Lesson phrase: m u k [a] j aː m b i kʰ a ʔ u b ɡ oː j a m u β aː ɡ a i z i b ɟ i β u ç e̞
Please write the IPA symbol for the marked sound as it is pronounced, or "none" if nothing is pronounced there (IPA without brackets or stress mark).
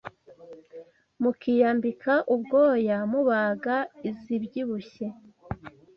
i